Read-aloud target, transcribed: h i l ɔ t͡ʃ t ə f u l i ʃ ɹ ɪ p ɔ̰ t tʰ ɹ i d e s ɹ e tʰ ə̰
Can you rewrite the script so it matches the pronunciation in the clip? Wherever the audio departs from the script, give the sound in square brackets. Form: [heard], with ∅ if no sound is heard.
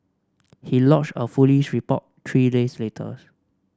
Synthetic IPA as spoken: h i l ɔ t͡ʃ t ə f u l i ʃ ɹ [i] p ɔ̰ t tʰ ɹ i d e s [l] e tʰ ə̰